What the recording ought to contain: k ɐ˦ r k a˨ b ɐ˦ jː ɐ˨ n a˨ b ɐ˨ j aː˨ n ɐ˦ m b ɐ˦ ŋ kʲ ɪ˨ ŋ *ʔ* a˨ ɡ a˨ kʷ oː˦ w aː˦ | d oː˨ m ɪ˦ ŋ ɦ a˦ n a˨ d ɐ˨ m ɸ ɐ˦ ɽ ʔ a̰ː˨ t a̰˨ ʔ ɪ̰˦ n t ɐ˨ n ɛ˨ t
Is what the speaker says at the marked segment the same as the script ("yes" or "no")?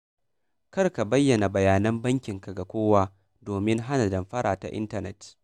no